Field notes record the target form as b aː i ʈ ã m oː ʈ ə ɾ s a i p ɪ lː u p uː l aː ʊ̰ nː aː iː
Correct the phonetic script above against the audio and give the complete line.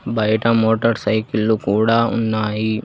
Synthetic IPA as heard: b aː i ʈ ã m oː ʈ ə ɾ s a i k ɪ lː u k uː ɽ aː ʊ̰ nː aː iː